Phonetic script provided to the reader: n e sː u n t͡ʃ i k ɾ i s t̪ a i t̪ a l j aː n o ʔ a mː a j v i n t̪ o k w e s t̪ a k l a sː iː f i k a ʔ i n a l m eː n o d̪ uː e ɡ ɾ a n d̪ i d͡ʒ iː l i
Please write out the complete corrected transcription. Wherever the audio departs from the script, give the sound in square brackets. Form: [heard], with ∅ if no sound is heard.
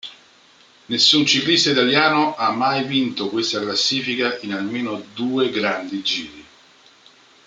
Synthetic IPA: n e sː u n t͡ʃ i k [l] i s t̪ a i t̪ a l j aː n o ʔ a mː a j v i n t̪ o k w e s t̪ a k l a sː iː f i k a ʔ i n a l m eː n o d̪ uː e ɡ ɾ a n d̪ i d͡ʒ iː [ɾ] i